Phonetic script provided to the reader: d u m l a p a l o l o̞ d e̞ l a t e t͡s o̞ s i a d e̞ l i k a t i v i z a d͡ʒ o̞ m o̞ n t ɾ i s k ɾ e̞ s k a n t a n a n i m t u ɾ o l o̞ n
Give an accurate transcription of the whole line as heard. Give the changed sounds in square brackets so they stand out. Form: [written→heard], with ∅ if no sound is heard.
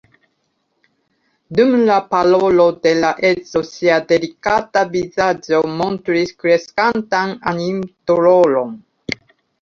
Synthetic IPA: d u m l a p a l o l o̞ d e̞ l a [t→ʔ] e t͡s o̞ s i a d e̞ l i k a t [i→a] v i z a d͡ʒ o̞ m o̞ n t ɾ i s k ɾ e̞ s k a n t a n a n i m t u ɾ o l o̞ n